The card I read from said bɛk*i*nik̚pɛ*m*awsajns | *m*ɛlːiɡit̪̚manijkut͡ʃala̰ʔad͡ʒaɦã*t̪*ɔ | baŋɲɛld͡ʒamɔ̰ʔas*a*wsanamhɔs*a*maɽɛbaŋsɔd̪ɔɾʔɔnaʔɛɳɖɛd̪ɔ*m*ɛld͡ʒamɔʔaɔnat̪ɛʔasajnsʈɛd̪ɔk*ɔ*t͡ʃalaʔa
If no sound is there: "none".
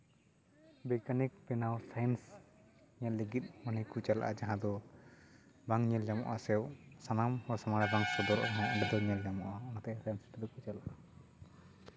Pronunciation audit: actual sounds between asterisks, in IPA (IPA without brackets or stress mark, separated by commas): a, n, ɲ, d̪, ɛ, a, ɲ, u